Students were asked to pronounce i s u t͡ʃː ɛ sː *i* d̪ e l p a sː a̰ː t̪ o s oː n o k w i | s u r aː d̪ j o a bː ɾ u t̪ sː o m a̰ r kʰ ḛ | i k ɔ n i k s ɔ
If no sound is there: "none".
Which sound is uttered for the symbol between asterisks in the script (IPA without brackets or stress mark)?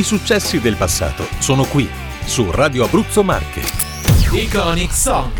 i